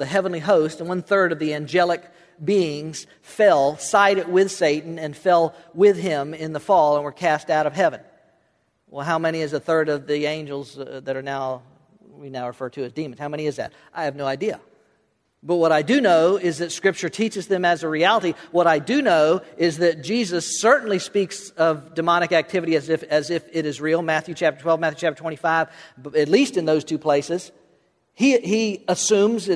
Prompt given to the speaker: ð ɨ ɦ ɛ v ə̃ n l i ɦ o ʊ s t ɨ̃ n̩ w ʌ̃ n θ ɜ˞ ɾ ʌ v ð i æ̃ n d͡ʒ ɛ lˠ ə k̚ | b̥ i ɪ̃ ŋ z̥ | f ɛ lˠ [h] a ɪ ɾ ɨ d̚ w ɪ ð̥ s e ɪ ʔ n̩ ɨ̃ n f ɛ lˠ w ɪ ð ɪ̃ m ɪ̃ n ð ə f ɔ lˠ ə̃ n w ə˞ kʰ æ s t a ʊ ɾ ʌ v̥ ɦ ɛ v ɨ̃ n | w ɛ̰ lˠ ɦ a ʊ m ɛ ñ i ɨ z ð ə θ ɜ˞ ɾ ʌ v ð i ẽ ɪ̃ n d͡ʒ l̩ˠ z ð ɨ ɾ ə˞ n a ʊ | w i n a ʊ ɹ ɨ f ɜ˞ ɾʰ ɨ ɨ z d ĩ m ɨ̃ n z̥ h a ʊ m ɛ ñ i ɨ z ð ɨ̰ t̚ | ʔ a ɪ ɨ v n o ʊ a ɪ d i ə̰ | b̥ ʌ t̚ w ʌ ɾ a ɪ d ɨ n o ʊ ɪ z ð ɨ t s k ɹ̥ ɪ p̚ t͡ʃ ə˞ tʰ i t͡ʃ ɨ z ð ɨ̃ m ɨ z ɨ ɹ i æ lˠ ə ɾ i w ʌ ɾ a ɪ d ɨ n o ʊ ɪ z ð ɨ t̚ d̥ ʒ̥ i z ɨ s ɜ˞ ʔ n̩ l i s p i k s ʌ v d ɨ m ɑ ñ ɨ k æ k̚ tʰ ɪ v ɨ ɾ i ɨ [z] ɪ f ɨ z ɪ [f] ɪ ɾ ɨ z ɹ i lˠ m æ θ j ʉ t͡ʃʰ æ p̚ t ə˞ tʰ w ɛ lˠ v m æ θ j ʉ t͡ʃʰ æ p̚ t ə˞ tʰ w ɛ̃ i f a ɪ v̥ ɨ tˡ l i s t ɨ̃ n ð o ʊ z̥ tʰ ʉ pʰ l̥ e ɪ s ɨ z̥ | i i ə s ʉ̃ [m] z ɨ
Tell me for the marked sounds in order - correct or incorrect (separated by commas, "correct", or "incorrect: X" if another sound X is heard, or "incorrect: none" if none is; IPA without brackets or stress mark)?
incorrect: s, correct, correct, correct